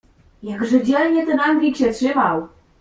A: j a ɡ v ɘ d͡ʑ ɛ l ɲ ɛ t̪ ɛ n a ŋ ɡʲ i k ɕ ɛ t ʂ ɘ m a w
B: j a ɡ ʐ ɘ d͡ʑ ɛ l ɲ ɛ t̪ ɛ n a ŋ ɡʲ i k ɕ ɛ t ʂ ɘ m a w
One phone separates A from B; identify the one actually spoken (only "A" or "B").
B